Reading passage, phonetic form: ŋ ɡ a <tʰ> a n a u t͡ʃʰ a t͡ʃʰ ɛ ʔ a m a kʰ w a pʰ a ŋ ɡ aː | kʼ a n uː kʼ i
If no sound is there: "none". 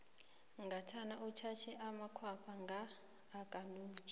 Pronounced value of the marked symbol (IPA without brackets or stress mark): tʰ